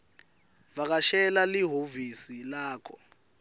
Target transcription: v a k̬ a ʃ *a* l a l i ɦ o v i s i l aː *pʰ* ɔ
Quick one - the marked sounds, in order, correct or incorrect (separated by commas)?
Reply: incorrect, incorrect